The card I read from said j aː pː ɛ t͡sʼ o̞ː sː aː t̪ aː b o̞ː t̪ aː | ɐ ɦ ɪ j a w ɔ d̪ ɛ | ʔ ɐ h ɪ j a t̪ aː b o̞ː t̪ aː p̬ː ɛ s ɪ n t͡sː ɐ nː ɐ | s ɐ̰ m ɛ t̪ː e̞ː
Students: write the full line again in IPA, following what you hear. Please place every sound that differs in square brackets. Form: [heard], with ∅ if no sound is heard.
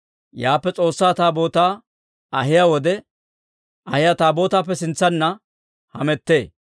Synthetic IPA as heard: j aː pː ɛ t͡sʼ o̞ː sː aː t̪ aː b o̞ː t̪ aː | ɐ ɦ ɪ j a w ɔ d̪ ɛ | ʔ ɐ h ɪ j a t̪ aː b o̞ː t̪ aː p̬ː ɛ s ɪ n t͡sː ɐ nː ɐ | [h] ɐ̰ m ɛ t̪ː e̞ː

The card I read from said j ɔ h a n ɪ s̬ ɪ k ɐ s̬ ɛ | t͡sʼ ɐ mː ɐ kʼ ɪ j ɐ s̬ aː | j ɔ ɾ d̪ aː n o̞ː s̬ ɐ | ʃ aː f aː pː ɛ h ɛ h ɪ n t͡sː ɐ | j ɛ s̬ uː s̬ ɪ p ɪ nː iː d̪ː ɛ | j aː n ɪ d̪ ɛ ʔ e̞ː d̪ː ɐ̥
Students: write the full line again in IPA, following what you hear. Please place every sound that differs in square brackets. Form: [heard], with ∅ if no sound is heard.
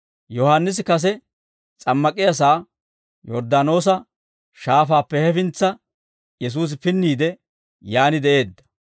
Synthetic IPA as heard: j ɔ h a [nː] ɪ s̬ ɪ k ɐ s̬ ɛ | t͡sʼ ɐ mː ɐ kʼ ɪ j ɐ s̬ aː | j ɔ ɾ d̪ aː n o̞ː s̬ ɐ | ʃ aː f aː pː ɛ h ɛ [f] ɪ n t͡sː ɐ | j ɛ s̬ uː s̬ ɪ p ɪ nː iː [d̪] ɛ | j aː n ɪ d̪ ɛ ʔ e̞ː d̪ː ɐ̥

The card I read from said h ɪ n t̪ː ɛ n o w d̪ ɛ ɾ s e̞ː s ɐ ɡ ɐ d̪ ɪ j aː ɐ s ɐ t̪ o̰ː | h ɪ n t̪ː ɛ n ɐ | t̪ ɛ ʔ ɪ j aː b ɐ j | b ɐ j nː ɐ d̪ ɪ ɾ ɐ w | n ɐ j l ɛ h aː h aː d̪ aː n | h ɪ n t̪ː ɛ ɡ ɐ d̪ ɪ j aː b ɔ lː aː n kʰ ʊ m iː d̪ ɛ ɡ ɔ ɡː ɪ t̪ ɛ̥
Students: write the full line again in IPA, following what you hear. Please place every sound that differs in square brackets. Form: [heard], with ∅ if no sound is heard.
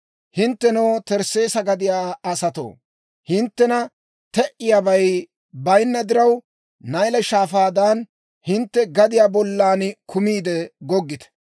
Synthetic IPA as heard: h ɪ n t̪ː ɛ n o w [t̪] ɛ ɾ s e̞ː s ɐ ɡ ɐ d̪ ɪ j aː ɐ s ɐ t̪ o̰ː | h ɪ n t̪ː ɛ n ɐ | t̪ ɛ ʔ ɪ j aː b ɐ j | b ɐ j nː ɐ d̪ ɪ ɾ ɐ w | n ɐ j l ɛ [ʃ] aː [f] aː d̪ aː n | h ɪ n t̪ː ɛ ɡ ɐ d̪ ɪ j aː b ɔ lː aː n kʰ ʊ m iː d̪ ɛ ɡ ɔ ɡː ɪ t̪ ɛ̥

